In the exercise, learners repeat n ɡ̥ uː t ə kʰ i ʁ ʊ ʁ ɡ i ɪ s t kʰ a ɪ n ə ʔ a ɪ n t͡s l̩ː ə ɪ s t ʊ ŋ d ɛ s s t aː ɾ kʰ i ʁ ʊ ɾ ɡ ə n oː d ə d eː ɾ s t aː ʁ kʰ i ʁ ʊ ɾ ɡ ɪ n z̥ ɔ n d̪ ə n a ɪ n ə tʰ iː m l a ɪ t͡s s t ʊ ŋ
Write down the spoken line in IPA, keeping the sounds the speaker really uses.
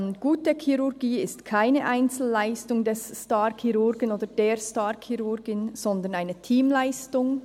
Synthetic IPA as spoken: n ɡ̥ uː t ə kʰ i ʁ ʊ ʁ ɡ iː ɪ s t kʰ a ɪ n ə ʔ a ɪ n t͡s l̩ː a ɪ s t ʊ ŋ d ɛ s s t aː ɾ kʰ i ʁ ʊ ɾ ɡ ə n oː d ə d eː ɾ s t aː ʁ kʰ i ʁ ʊ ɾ ɡ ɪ n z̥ ɔ n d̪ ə n a ɪ n ə tʰ iː m l a ɪ s t ʊ ŋ